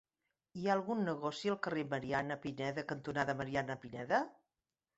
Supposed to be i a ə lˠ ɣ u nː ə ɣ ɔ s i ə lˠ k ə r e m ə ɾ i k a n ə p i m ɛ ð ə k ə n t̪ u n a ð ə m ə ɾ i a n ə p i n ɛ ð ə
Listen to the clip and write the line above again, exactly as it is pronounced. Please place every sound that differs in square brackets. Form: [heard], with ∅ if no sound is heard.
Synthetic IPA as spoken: i a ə lˠ ɣ u nː ə ɣ ɔ s i ə lˠ k ə r e m ə ɾ i [∅] a n ə p i [n] ɛ ð ə k ə n t̪ u n a ð ə m ə ɾ i a n ə p i n ɛ ð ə